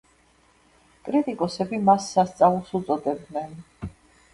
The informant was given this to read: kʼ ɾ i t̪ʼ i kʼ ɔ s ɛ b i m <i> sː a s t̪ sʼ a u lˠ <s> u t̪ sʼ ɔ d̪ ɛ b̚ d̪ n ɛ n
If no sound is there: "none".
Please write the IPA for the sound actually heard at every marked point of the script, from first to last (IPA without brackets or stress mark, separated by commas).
a, s